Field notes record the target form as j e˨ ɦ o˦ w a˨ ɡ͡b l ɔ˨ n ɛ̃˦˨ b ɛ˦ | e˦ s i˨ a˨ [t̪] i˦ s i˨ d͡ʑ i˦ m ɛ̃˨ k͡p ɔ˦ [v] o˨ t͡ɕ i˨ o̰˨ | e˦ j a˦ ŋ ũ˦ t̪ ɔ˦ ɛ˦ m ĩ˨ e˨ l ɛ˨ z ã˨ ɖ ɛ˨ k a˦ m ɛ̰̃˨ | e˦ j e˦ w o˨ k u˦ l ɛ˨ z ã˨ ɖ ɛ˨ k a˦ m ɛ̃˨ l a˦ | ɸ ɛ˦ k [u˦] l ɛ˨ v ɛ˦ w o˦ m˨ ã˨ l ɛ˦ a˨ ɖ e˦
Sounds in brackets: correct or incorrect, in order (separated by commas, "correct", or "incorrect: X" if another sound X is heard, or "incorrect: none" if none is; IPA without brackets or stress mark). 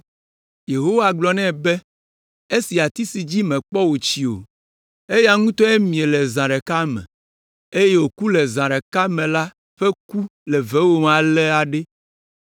correct, incorrect: w, correct